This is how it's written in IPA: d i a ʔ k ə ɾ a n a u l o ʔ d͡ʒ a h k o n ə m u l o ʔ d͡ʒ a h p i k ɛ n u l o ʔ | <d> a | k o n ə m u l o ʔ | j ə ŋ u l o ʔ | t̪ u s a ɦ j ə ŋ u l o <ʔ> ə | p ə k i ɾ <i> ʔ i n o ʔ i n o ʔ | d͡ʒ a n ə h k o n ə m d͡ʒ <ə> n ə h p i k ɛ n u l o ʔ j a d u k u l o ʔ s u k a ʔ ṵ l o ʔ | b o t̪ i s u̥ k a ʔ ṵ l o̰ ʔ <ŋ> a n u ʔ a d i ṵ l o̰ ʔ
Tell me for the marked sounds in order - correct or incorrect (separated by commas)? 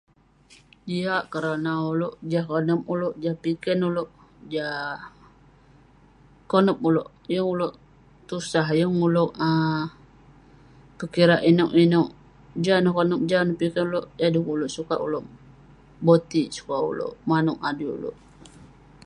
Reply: incorrect, correct, incorrect, incorrect, incorrect